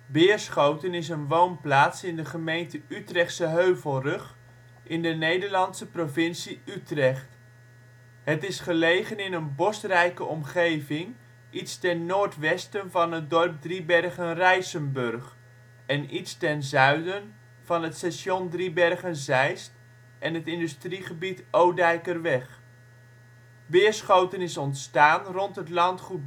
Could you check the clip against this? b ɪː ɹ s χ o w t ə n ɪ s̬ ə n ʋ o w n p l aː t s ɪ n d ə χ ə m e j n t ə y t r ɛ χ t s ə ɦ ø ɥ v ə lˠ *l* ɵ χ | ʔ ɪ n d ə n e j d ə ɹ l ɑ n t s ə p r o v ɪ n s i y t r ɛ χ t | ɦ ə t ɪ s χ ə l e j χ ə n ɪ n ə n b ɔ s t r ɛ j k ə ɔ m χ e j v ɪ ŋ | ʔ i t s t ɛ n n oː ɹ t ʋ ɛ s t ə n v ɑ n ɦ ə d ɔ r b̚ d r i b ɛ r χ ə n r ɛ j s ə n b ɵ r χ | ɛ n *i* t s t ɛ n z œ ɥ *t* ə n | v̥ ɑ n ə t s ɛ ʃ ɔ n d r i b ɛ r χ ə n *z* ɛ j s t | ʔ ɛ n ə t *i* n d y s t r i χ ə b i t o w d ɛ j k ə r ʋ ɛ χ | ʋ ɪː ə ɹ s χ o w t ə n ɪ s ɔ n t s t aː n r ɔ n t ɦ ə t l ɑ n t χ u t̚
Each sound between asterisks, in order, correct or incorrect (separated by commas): incorrect, correct, incorrect, correct, incorrect